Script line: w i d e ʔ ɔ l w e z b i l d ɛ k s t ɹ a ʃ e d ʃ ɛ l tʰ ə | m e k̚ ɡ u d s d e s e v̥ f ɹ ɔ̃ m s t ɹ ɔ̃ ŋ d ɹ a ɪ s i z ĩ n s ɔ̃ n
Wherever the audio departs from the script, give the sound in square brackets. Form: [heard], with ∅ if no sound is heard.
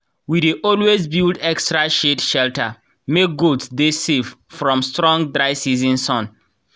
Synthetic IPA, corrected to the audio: w i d e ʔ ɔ l w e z b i l d ɛ k s t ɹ a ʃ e d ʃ ɛ l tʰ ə | m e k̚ ɡ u d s d e s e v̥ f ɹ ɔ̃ m s t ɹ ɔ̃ ŋ d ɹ a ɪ s i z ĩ n s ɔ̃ n